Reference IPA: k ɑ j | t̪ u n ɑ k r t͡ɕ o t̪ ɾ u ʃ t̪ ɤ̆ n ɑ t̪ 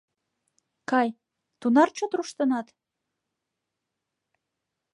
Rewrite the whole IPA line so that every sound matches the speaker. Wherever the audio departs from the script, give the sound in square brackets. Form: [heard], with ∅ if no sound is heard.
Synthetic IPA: k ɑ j | t̪ u n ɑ [∅] r t͡ɕ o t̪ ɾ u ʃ t̪ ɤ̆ n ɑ t̪